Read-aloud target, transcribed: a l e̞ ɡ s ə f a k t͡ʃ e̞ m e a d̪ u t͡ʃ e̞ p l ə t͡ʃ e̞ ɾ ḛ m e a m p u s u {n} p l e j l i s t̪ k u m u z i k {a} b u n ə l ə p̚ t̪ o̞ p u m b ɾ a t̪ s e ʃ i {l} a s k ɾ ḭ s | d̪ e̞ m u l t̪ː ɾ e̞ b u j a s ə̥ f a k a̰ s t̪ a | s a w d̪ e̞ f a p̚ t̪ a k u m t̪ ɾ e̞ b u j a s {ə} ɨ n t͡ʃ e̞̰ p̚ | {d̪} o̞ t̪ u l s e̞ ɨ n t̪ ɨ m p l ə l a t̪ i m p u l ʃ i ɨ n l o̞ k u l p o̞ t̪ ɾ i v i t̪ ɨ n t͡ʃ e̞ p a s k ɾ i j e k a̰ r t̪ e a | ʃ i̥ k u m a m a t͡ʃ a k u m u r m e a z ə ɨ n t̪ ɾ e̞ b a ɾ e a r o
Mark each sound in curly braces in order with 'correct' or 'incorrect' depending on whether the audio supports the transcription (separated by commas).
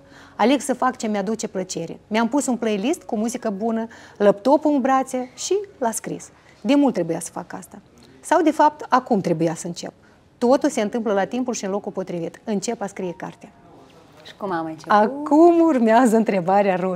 correct, incorrect, correct, correct, incorrect